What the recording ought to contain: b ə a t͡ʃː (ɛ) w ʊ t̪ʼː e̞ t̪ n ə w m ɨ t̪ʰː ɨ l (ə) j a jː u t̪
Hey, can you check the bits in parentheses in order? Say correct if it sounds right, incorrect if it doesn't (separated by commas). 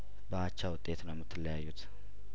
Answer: incorrect, correct